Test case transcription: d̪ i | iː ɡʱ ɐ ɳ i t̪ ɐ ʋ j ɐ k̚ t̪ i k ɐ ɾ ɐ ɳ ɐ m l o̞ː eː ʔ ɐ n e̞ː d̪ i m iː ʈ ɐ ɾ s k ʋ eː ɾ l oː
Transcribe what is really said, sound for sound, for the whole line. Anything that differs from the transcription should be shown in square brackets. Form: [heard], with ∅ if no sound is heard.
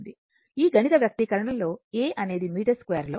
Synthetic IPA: d̪ i | iː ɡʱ ɐ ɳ i t̪ ɐ ʋ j ɐ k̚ t̪ i k ɐ ɾ ɐ ɳ ɐ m l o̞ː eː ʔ ɐ n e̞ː d̪ i m iː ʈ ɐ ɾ s k ʋ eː ɾ l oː

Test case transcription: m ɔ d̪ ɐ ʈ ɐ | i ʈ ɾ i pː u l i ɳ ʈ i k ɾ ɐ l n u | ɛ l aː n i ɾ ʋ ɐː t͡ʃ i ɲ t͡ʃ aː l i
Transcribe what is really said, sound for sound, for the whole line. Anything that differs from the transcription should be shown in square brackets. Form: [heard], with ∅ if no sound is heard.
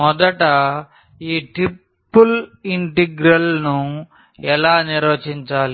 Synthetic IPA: m ɔ d̪ ɐ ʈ ɐ | [iː] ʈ ɾ i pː u l i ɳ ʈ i [ɡ] ɾ ɐ l n u | ɛ l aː n i ɾ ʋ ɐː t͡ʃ i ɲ t͡ʃ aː l i

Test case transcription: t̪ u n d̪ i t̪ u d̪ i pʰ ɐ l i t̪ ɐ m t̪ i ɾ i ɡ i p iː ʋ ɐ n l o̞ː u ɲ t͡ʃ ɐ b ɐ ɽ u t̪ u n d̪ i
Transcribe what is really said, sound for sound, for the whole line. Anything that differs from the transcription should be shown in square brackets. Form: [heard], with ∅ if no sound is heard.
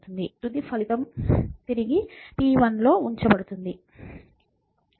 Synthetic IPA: t̪ u n d̪ i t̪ u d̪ i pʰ ɐ l i t̪ ɐ m t̪ i ɾ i ɡ i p iː ʋ ɐ n l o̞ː u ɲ t͡ʃ ɐ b ɐ ɽ u t̪ u n d̪ i

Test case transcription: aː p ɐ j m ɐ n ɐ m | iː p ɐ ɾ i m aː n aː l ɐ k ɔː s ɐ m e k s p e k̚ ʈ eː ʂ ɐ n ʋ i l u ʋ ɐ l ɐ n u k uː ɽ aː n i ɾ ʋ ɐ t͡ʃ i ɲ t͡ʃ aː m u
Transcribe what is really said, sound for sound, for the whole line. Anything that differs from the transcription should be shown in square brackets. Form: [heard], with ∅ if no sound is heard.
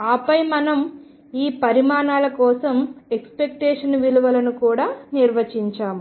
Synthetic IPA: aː p ɐ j m ɐ n ɐ m | iː p ɐ ɾ i m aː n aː l ɐ k ɔː s ɐ m e k s p e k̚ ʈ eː ʂ ɐ n ʋ i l u ʋ ɐ l ɐ n u k uː ɽ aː n i ɾ ʋ ɐ t͡ʃ i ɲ t͡ʃ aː m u

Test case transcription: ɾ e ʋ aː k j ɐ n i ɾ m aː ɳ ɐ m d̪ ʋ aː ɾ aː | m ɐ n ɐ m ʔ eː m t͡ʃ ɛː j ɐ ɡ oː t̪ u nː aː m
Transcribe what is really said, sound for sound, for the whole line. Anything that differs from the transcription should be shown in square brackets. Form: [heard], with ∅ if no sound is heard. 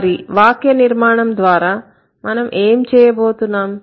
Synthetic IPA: ɾ [i] ʋ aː k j ɐ n i ɾ m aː ɳ ɐ m d̪ ʋ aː ɾ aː | m ɐ n ɐ m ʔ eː m t͡ʃ ɛː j ɐ [b] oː t̪ u nː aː m

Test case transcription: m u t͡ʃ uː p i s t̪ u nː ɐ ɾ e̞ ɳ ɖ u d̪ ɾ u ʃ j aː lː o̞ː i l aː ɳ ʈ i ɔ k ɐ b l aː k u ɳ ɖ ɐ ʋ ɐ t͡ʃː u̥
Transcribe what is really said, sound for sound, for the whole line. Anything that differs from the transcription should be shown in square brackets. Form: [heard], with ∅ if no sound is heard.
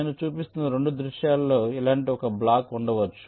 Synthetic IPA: [n] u t͡ʃ uː p i s t̪ u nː ɐ ɾ e̞ ɳ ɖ u d̪ ɾ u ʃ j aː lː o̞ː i l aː ɳ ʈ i ɔ k ɐ b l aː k u ɳ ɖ ɐ ʋ ɐ t͡ʃː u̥

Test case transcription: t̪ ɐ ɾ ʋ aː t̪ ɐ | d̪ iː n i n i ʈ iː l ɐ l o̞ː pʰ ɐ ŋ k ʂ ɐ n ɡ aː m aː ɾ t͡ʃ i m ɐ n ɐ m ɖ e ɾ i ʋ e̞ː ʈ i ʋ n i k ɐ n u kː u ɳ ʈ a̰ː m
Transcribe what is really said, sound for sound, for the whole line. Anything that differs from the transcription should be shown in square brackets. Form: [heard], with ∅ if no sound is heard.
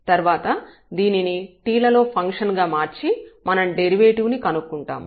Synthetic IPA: t̪ ɐ ɾ ʋ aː t̪ ɐ | d̪ iː n i n i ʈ iː l ɐ l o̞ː pʰ ɐ ŋ k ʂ ɐ n ɡ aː m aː ɾ t͡ʃ i m ɐ n ɐ m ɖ e ɾ i ʋ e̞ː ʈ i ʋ n i k ɐ n u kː u ɳ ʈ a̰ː m

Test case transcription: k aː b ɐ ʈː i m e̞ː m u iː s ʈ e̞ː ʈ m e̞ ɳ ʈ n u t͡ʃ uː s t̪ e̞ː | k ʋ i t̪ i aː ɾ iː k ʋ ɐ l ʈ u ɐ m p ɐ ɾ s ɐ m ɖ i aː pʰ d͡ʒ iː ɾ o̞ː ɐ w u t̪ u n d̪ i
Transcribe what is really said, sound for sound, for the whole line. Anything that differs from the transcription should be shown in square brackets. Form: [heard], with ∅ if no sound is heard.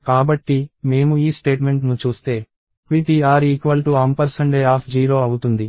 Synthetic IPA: k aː b ɐ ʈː i m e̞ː m u iː s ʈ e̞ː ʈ m e̞ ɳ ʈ n u t͡ʃ uː s t̪ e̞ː | k ʋ i t̪ i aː ɾ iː k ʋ ɐ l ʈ u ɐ m p ɐ ɾ s ɐ [ɳ] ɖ [e] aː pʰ d͡ʒ iː ɾ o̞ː ɐ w u t̪ u n d̪ i

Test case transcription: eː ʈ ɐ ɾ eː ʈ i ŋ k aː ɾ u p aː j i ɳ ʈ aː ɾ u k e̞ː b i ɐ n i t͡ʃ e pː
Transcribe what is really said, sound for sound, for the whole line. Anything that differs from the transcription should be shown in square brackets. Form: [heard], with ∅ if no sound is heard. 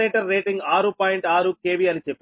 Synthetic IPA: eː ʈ ɐ [ɾː] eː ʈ i ŋ [ɡ] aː ɾ u p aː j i ɳ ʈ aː ɾ u k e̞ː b i ɐ n i t͡ʃ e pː

